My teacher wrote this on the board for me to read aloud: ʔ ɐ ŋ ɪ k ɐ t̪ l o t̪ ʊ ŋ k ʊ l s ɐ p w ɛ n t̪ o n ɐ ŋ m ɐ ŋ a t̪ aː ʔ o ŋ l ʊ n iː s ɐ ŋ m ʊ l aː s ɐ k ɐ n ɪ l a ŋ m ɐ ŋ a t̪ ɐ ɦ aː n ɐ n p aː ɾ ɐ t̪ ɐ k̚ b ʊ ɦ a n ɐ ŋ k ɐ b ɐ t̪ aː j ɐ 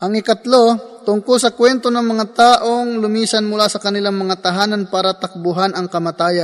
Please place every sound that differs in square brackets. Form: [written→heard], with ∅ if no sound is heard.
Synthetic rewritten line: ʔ ɐ ŋ ɪ k ɐ t̪ l o t̪ ʊ ŋ k ʊ l s ɐ [p→k] w ɛ n t̪ o n ɐ ŋ m ɐ ŋ a t̪ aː ʔ o ŋ l ʊ [n→m] iː s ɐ [ŋ→n] m ʊ l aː s ɐ k ɐ n ɪ l a ŋ m ɐ ŋ a t̪ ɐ ɦ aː n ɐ n p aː ɾ ɐ t̪ ɐ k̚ b ʊ ɦ a n ɐ ŋ k ɐ [b→m] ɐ t̪ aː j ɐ